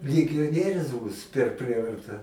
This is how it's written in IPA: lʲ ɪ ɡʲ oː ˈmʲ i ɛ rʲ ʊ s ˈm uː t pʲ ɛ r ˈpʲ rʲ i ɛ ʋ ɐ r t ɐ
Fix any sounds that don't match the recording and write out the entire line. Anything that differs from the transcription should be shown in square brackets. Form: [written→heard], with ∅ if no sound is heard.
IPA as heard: lʲ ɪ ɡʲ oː [ˈmʲ→ˈnʲ] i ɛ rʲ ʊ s [ˈm→ˈb] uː [t→s] pʲ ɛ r ˈpʲ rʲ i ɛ ʋ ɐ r t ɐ